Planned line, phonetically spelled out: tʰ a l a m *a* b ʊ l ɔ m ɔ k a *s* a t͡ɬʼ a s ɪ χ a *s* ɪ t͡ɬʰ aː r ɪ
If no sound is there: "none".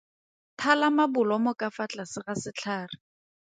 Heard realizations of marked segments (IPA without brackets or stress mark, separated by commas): a, f, s